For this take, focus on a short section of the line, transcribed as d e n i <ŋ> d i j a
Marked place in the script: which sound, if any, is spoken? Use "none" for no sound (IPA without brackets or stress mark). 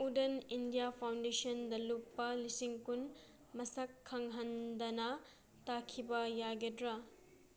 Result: n